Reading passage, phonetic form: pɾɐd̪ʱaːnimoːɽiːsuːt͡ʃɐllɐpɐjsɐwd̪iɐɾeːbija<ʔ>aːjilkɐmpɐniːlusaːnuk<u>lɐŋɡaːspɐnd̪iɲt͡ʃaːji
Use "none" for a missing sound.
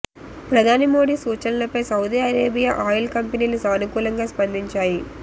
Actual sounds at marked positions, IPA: ʔ, uː

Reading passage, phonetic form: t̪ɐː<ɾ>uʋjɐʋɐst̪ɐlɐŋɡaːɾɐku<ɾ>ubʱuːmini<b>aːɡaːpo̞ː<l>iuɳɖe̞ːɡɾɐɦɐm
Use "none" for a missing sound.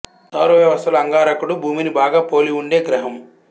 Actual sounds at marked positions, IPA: ɾ, ɽ, b, l

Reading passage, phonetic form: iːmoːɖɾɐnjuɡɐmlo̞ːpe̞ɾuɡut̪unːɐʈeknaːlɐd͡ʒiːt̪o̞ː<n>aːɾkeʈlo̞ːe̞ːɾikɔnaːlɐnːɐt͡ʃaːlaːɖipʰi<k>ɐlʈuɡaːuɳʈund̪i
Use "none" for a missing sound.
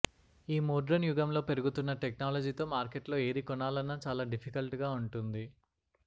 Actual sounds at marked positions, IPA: m, k

